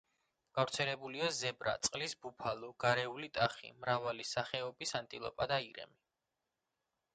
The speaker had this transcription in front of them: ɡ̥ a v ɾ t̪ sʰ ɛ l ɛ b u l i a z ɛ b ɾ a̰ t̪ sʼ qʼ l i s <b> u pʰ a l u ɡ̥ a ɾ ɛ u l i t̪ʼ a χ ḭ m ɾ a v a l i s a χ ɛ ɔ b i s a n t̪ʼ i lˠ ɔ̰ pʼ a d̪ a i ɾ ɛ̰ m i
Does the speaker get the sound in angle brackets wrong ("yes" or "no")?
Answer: no